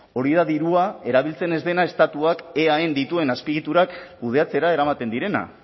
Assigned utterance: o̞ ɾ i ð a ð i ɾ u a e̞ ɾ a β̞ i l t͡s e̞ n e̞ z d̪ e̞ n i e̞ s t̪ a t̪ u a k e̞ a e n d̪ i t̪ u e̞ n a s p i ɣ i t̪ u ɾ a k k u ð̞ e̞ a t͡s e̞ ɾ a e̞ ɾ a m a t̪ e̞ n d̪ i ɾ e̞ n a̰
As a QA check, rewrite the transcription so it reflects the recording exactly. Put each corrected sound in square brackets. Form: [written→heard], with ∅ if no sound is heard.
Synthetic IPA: o̞ ɾ i ð a ð i ɾ u a e̞ ɾ a β̞ i l t͡s e̞ n e̞ z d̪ e̞ n [i→a] e̞ s t̪ a t̪ u a k e̞ a e n d̪ i t̪ u e̞ n a s p i ɣ i t̪ u ɾ a k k u ð̞ e̞ a t͡s e̞ ɾ a e̞ ɾ a m a t̪ e̞ n d̪ i ɾ e̞ n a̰